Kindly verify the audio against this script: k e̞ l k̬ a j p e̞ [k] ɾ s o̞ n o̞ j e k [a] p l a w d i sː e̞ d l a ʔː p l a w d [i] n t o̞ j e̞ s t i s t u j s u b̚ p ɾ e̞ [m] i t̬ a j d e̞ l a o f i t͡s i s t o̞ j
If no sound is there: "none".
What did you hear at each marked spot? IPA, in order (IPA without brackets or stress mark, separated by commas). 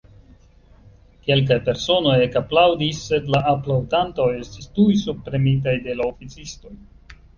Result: none, a, a, m